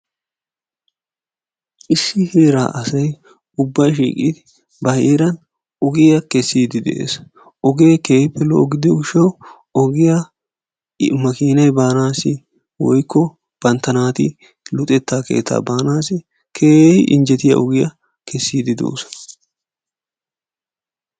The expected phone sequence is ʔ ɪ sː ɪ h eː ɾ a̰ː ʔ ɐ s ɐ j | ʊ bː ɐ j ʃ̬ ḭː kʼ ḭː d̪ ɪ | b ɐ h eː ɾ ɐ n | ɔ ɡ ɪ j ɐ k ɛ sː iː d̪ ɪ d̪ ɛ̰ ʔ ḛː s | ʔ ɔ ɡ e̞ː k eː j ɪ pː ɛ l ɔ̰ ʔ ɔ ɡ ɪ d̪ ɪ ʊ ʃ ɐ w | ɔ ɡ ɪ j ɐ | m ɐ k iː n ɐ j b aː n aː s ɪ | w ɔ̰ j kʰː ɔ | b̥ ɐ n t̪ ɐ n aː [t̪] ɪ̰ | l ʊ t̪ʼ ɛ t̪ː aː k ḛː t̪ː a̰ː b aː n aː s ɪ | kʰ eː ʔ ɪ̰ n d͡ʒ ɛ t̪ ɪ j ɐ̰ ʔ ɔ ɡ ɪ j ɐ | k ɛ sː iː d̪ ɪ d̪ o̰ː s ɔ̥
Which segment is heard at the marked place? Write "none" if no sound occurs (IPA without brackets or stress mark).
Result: t̪